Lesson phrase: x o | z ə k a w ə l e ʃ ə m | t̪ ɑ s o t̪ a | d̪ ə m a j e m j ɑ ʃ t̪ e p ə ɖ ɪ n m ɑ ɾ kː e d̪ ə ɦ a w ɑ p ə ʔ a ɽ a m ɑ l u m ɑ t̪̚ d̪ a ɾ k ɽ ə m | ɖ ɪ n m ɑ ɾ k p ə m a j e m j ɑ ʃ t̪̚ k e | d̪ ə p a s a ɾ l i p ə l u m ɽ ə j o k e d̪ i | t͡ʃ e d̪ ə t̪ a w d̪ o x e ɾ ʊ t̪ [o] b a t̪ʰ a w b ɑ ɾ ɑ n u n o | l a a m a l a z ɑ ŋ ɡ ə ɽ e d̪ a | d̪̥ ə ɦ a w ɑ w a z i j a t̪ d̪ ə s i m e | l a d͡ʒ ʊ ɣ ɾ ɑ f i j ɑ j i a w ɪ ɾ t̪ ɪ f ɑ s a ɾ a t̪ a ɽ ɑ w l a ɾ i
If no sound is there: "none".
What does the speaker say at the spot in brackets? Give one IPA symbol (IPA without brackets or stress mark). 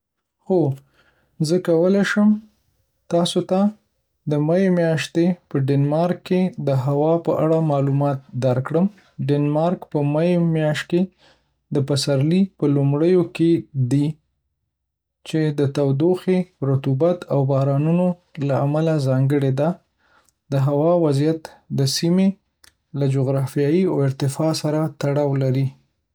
u